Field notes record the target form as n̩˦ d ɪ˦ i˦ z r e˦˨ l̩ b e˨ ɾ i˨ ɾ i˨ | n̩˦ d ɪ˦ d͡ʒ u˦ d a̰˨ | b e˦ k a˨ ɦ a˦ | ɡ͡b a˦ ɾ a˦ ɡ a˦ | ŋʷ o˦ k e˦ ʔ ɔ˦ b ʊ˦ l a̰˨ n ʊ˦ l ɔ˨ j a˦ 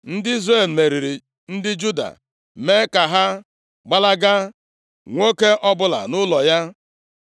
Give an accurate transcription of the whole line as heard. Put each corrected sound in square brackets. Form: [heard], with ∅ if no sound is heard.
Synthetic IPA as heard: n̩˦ d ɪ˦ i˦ z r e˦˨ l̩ [m] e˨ ɾ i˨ ɾ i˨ | n̩˦ d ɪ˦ d͡ʒ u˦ d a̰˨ | [m] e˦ k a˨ ɦ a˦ | ɡ͡b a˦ [l] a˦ ɡ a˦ | ŋʷ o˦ k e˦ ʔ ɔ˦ b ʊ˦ l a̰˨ n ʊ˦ l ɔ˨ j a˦